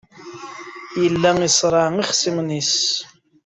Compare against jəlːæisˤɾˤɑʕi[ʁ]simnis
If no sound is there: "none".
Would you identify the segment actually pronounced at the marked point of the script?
χ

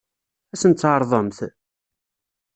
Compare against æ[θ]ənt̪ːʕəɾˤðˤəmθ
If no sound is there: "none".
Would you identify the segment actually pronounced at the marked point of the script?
s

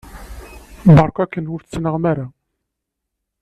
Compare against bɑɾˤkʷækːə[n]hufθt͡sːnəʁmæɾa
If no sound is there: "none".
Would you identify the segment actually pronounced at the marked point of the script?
n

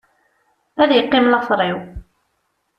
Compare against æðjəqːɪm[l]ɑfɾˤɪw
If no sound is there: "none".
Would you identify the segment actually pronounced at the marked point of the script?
l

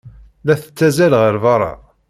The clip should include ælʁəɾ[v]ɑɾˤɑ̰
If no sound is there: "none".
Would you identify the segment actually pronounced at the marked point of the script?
v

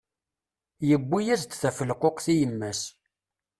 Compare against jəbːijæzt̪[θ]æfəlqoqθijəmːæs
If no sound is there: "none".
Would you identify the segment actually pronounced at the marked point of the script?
θ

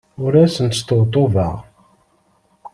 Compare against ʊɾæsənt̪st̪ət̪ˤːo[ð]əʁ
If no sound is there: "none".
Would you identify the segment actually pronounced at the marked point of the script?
v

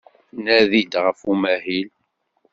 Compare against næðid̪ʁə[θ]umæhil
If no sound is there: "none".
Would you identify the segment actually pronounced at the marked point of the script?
f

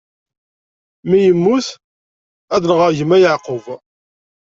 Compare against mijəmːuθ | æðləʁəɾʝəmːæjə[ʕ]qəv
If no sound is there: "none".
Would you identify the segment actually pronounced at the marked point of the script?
ʕ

